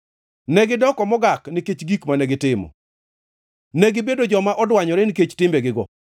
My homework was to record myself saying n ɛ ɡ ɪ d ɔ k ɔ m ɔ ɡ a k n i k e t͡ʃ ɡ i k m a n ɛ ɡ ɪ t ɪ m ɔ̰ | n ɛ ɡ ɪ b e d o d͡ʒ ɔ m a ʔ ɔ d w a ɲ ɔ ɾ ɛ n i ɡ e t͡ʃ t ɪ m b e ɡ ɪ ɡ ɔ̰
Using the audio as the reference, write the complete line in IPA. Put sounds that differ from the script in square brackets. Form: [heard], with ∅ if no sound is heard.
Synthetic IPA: n ɛ ɡ ɪ d ɔ k ɔ m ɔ ɡ a k n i k e t͡ʃ ɡ i k m a n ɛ ɡ ɪ t ɪ m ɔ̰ | n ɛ ɡ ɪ b e d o d͡ʒ ɔ m a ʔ ɔ d w a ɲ ɔ ɾ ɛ n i [k] e t͡ʃ t ɪ m b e ɡ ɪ ɡ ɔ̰